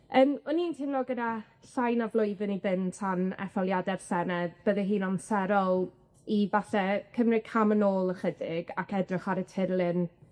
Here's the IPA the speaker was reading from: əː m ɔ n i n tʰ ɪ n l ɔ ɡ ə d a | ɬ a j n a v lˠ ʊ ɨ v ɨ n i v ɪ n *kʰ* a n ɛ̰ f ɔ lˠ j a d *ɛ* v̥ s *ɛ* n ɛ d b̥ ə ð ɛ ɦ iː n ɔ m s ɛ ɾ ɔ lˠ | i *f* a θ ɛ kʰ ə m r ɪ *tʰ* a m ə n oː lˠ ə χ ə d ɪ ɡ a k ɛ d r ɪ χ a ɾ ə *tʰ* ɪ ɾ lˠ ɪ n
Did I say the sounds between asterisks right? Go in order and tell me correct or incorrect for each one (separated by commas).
incorrect, correct, correct, incorrect, incorrect, correct